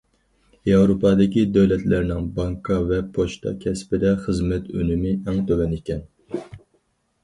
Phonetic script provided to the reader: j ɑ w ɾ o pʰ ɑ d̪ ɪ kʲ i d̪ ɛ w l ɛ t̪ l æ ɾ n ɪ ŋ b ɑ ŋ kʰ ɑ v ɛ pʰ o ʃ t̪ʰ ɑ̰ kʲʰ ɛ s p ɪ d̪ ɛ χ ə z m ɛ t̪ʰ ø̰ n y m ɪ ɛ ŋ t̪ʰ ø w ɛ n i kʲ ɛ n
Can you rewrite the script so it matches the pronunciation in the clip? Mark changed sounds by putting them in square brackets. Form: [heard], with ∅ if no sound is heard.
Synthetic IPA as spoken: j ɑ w ɾ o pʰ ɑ d̪ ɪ kʲ i d̪ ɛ w l ɛ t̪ l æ ɾ n ɪ ŋ b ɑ ŋ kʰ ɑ v ɛ pʰ o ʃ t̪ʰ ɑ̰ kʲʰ ɛ s p ɪ d̪ ɛ χ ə z m ɛ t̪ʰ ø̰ n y m ɪ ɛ ŋ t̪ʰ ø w ɛ n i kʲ ɛ n

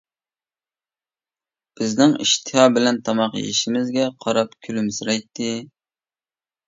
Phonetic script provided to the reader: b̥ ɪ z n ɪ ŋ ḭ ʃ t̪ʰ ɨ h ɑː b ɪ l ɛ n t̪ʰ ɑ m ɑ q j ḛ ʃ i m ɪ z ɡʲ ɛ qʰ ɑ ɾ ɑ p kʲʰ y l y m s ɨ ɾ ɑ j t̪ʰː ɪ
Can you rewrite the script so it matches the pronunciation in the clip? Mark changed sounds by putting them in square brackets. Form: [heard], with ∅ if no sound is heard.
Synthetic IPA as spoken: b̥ ɪ z n ɪ ŋ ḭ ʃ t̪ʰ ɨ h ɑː b ɪ l ɛ n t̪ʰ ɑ m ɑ q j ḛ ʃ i m ɪ z ɡʲ ɛ qʰ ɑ ɾ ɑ p kʲʰ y l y m s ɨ ɾ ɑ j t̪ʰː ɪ

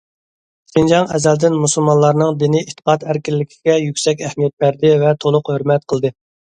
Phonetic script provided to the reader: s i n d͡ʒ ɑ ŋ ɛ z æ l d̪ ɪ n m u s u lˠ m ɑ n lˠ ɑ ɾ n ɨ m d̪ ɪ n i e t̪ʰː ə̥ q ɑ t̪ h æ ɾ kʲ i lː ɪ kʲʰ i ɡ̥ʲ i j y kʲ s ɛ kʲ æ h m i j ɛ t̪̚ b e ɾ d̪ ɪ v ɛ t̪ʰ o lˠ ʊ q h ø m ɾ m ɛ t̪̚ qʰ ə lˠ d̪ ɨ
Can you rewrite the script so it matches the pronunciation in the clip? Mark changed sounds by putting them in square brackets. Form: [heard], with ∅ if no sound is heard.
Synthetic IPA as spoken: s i n d͡ʒ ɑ ŋ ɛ z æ l d̪ ɪ n m u s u lˠ m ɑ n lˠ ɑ ɾ n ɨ [ŋ] d̪ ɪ n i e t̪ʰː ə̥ q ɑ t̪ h æ ɾ kʲ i lː ɪ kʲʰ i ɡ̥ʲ [ɛ] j y kʲ s ɛ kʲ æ h m i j ɛ t̪̚ b [æ] ɾ d̪ ɪ v ɛ t̪ʰ o lˠ ʊ q h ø [∅] ɾ m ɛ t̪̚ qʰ ə lˠ d̪ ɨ

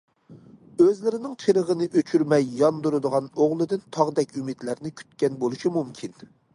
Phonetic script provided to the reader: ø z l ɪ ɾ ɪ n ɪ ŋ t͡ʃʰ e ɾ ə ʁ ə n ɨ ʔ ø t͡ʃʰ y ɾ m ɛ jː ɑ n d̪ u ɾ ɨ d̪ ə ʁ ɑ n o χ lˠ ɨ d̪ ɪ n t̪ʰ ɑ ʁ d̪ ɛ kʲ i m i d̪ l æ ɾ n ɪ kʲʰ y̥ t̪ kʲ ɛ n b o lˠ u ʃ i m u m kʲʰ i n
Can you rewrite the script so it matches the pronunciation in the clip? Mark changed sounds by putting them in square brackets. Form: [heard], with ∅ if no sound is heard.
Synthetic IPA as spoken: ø z l ɪ ɾ ɪ n ɪ ŋ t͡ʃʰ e ɾ ə ʁ ə n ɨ ʔ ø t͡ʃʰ y ɾ m ɛ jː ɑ n d̪ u ɾ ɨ d̪ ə ʁ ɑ n o [ʁ] lˠ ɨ d̪ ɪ n t̪ʰ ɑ ʁ d̪ ɛ kʲ [y] m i d̪ l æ ɾ n ɪ kʲʰ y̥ t̪ kʲ ɛ n b o lˠ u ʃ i m u m kʲʰ i n

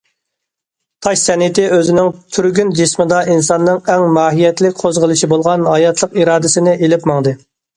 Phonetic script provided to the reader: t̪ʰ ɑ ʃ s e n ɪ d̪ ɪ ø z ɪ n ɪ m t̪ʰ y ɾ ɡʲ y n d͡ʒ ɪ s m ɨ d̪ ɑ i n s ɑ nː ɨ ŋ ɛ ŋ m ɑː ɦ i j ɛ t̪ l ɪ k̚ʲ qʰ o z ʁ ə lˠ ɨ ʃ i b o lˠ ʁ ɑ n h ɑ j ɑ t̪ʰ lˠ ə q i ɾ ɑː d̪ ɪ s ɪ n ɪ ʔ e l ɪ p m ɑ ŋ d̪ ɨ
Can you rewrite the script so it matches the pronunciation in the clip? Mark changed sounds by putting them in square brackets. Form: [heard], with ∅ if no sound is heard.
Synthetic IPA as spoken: t̪ʰ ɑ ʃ s [ɛ] n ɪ [t̪] ɪ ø z ɪ n ɪ [ŋ] t̪ʰ y ɾ ɡʲ y n d͡ʒ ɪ s m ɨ d̪ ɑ i n s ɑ nː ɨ ŋ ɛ ŋ m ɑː ɦ i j ɛ t̪ l ɪ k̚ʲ qʰ o z ʁ ə lˠ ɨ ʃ i b o lˠ ʁ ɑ n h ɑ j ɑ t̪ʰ lˠ ə q i ɾ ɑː d̪ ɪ s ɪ n ɪ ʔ e l ɪ p m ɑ ŋ d̪ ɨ

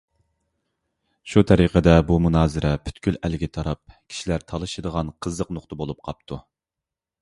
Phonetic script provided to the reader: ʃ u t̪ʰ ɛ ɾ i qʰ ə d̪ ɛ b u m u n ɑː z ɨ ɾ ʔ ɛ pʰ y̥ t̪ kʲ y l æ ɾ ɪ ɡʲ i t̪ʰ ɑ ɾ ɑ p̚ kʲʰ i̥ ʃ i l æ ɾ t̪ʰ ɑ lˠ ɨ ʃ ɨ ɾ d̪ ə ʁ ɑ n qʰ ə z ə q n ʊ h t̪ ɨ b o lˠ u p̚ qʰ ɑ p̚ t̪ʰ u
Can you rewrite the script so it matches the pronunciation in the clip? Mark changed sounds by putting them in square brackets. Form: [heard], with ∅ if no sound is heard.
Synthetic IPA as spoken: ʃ u t̪ʰ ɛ ɾ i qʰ ə d̪ ɛ b u m u n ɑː z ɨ ɾ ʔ ɛ pʰ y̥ t̪ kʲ y l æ [l] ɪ ɡʲ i t̪ʰ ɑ ɾ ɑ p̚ kʲʰ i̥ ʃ i l æ ɾ t̪ʰ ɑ lˠ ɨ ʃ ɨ [∅] d̪ ə ʁ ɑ n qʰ ə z ə q n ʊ [χ] t̪ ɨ b o lˠ u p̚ qʰ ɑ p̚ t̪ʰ u

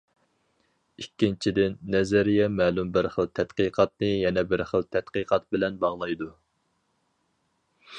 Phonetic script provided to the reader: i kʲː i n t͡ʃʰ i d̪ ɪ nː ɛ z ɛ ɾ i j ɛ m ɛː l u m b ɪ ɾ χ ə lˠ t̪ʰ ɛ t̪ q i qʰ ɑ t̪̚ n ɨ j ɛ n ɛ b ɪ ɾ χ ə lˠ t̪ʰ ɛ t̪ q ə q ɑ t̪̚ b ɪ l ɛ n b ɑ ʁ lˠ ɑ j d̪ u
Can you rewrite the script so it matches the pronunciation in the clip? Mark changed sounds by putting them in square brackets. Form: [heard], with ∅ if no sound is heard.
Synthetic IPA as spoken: i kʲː i n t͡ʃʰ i d̪ ɪ nː ɛ z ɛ ɾ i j ɛ m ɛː l u m b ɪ ɾ χ ə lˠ t̪ʰ ɛ t̪ q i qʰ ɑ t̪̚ n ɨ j ɛ n ɛ b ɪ ɾ χ ə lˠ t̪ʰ ɛ t̪ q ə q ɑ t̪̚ b ɪ l ɛ n b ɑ ʁ lˠ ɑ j d̪ u

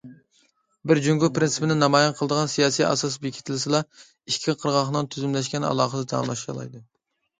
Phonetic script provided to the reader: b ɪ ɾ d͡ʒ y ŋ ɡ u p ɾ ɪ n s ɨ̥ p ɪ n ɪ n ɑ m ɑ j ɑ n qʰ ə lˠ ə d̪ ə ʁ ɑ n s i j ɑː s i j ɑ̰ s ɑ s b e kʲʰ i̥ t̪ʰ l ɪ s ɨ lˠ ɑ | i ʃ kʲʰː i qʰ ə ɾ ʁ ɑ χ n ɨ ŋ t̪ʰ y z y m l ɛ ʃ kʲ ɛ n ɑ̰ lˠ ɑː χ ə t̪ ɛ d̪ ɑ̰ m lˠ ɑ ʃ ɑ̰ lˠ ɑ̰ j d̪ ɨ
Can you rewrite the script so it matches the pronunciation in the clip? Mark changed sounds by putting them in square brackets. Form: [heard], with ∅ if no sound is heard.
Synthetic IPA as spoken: b ɪ ɾ d͡ʒ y ŋ ɡ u p ɾ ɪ n s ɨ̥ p ɪ n ɪ n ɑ m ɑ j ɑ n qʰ ə lˠ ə d̪ ə ʁ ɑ n s i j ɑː s i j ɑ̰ s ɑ s b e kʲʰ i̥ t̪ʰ l ɪ s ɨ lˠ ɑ | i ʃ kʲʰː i qʰ ə ɾ ʁ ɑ χ n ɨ ŋ t̪ʰ y z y m l ɛ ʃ kʲ ɛ n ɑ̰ lˠ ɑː χ ə [d̪] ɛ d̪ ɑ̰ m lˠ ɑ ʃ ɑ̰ lˠ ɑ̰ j d̪ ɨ

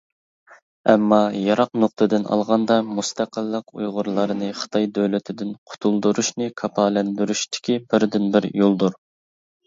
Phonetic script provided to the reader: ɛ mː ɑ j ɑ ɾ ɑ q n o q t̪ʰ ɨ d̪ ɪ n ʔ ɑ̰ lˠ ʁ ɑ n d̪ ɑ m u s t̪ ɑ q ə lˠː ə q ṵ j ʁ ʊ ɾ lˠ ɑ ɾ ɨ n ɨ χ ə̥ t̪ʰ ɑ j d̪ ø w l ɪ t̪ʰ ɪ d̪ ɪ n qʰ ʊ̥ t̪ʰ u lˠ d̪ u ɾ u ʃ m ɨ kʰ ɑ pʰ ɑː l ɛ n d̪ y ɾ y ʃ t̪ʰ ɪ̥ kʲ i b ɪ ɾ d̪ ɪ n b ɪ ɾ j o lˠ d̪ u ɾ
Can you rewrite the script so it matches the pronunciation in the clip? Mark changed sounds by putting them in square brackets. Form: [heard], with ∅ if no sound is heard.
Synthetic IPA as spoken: ɛ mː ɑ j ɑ ɾ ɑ q n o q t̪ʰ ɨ d̪ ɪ n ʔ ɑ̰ lˠ ʁ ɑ n d̪ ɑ m u s t̪ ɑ q ə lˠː ə q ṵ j ʁ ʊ ɾ lˠ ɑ ɾ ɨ n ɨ χ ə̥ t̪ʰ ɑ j d̪ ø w l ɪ t̪ʰ ɪ d̪ ɪ n qʰ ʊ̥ t̪ʰ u lˠ d̪ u ɾ u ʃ [n] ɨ kʰ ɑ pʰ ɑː l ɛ n d̪ y ɾ y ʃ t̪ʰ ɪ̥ kʲ i b ɪ ɾ d̪ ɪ n b ɪ ɾ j o lˠ d̪ u ɾ

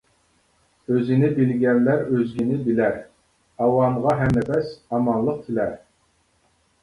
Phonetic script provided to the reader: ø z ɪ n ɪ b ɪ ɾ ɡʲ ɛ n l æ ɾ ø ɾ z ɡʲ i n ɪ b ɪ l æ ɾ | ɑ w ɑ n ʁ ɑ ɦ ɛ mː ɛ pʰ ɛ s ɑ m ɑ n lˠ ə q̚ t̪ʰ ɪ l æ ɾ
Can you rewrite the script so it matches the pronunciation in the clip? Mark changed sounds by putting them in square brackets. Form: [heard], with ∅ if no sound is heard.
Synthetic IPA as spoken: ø z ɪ n ɪ b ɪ [l] ɡʲ ɛ n l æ ɾ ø [∅] z ɡʲ i n ɪ b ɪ l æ ɾ | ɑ w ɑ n ʁ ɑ ɦ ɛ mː ɛ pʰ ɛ s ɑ m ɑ n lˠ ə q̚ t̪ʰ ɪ l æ ɾ

